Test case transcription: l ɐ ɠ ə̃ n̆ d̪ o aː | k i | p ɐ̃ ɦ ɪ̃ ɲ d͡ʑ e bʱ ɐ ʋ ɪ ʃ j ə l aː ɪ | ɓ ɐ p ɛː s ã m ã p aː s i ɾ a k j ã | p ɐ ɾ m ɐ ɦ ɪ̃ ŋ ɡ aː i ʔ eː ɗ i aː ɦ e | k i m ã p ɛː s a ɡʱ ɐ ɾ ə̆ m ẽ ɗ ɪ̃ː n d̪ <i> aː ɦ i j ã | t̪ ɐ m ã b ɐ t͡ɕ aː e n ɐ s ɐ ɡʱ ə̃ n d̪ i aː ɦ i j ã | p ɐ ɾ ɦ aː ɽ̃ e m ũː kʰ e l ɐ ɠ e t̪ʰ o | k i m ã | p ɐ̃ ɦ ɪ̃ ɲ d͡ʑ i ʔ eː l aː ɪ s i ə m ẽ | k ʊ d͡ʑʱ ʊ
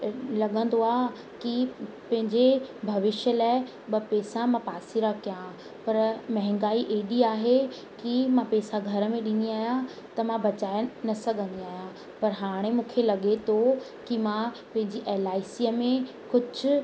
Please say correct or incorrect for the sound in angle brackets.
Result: correct